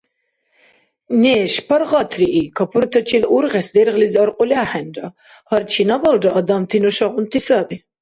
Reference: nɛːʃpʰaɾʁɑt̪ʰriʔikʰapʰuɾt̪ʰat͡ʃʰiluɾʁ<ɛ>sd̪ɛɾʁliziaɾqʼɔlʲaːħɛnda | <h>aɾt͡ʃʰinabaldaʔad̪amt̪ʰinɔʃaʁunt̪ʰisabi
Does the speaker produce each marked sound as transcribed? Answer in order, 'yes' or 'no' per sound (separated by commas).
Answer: yes, yes